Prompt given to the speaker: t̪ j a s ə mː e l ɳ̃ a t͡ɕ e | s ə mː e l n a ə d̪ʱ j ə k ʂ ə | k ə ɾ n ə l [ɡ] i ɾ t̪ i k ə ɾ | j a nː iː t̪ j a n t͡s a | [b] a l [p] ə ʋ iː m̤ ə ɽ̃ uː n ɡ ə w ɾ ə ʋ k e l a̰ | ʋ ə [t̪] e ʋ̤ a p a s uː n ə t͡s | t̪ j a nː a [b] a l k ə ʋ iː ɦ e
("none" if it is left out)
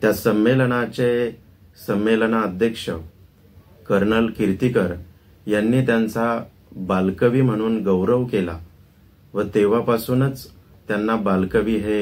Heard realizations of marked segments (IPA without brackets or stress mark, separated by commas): k, b, k, t̪, b